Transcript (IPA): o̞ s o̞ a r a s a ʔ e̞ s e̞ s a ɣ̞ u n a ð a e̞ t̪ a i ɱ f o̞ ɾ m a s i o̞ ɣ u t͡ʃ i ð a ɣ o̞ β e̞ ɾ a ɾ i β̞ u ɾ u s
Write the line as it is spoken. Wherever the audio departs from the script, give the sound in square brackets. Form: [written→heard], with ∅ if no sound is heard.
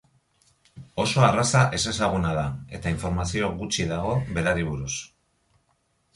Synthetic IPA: o̞ s o̞ a r a s a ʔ e̞ s e̞ s a ɣ̞ u n a ð a e̞ t̪ a i ɱ f o̞ ɾ m a s i o̞ ɣ u t͡ʃ i ð a ɣ o̞ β e̞ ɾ a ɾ i β̞ u ɾ u s